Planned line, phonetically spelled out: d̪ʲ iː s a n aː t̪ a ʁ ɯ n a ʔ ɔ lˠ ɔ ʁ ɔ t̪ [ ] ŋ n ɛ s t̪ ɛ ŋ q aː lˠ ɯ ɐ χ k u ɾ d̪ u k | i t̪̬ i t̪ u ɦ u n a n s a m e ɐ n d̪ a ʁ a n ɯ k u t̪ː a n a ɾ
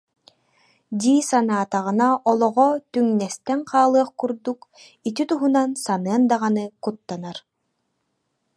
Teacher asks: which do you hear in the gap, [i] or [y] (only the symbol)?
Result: y